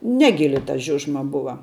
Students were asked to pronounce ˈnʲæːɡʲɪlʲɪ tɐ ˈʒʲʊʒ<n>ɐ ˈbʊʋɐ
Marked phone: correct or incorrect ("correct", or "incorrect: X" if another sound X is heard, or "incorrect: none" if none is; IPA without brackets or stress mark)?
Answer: incorrect: m